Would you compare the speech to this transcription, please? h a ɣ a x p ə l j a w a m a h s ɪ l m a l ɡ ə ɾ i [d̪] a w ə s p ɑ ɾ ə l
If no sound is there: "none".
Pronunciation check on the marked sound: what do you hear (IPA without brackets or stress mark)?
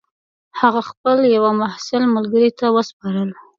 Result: t̪